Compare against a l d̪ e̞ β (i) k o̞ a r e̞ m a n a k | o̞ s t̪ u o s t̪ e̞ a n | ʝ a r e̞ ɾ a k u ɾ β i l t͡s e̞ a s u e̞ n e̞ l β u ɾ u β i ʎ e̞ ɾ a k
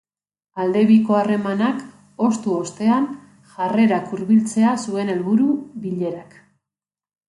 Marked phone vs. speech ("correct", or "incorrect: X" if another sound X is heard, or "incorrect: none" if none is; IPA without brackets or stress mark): correct